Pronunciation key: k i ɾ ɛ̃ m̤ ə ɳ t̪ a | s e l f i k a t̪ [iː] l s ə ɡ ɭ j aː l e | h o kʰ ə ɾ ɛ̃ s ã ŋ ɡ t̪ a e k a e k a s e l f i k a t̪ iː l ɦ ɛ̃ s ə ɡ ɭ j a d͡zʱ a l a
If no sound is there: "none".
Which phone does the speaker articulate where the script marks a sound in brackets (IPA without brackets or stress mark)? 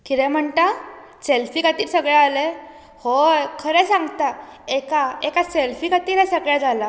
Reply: iː